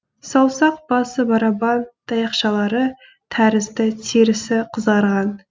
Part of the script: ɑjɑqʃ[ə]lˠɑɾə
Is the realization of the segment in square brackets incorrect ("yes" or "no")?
yes